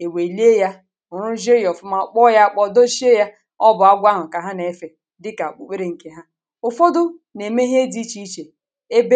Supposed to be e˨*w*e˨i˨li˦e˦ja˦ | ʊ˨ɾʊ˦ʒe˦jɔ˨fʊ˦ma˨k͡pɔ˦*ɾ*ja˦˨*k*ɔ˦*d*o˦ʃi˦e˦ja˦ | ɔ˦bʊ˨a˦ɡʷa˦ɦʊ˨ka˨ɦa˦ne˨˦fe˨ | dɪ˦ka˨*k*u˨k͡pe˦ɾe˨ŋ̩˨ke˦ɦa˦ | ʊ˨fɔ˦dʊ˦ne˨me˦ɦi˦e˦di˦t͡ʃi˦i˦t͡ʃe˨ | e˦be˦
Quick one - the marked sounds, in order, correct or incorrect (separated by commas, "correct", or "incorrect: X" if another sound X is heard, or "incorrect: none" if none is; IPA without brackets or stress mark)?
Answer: correct, incorrect: none, incorrect: k͡p, correct, incorrect: k͡p